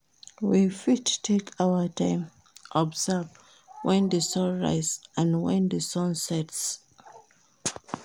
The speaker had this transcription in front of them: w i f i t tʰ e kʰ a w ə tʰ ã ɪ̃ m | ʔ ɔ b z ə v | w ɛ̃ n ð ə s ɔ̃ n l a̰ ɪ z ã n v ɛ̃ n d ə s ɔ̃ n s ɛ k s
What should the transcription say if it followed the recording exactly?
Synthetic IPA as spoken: w i f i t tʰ e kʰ a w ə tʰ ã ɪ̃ m | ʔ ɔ b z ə v | w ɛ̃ n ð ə s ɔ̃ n ɹ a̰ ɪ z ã n w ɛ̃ n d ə s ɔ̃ n s ɛ t s